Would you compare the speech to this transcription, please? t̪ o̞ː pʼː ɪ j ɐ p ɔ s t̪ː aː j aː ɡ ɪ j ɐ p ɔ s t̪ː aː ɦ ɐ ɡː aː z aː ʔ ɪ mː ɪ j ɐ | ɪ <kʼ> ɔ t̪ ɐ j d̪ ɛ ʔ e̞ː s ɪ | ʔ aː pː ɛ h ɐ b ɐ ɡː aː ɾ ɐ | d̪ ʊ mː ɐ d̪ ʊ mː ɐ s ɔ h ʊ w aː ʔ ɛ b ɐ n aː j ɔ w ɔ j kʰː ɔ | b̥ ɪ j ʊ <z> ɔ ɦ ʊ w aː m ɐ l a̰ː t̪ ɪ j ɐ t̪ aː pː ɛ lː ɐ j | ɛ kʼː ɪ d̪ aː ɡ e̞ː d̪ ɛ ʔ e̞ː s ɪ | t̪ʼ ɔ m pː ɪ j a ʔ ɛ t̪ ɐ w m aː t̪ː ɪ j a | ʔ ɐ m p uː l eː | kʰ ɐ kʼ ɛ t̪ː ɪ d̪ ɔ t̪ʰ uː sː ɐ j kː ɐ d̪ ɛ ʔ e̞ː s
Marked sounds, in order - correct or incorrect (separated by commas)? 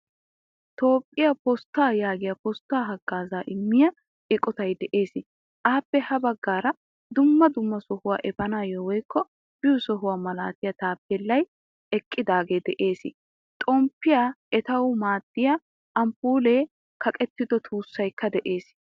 correct, incorrect